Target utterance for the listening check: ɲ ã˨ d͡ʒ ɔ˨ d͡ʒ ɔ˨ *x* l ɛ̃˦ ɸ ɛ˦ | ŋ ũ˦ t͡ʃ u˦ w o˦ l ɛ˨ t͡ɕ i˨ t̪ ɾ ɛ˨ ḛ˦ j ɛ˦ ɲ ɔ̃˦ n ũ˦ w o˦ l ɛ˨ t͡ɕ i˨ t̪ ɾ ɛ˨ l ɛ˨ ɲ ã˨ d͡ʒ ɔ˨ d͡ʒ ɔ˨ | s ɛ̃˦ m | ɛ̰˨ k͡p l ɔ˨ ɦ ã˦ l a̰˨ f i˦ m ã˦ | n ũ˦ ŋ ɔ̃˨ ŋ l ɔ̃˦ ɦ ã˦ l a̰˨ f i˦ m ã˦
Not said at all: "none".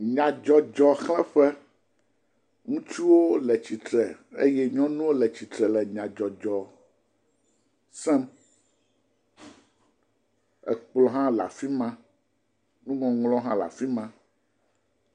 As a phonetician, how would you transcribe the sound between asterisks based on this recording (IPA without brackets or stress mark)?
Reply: x